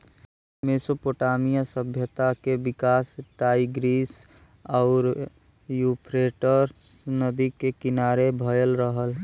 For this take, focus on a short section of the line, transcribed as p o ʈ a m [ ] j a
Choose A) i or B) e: A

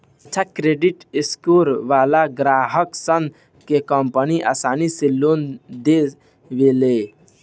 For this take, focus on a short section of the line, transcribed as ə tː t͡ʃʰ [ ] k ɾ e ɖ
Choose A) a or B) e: A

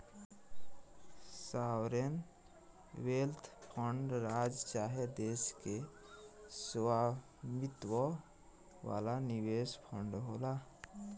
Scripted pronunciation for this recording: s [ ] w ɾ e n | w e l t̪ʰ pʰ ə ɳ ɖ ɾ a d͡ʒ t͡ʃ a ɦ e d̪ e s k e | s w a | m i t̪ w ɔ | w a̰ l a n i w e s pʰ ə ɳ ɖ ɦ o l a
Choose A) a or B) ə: A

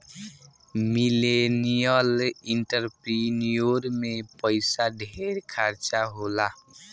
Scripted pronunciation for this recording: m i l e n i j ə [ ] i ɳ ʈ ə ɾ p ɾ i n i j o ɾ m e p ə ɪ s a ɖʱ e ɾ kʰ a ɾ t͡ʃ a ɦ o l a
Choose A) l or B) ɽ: A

